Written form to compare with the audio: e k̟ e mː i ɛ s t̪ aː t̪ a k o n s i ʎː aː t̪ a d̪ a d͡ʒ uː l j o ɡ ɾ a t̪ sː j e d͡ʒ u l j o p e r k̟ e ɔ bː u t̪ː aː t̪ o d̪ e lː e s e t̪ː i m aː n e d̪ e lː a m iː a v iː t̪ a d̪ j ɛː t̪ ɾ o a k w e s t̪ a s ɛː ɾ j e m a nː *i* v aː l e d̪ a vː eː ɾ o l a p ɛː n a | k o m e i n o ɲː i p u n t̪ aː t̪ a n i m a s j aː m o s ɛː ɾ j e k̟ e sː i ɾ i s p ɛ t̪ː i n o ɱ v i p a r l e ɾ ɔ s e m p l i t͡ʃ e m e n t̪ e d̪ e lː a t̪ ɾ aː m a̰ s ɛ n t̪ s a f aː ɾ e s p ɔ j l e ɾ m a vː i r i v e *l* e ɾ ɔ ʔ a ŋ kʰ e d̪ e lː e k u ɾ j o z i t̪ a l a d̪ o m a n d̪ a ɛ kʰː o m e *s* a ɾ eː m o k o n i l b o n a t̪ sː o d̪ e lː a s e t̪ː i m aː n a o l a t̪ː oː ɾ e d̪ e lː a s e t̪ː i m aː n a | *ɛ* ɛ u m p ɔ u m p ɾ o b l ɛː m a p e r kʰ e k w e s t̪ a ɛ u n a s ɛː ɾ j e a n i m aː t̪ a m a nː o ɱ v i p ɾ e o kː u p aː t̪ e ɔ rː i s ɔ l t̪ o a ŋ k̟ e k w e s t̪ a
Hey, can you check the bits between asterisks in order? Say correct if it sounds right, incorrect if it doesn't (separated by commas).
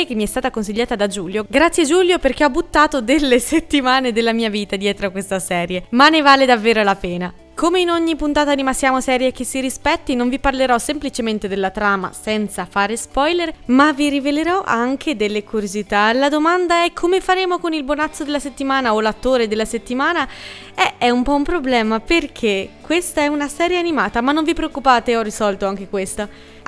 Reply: incorrect, correct, incorrect, correct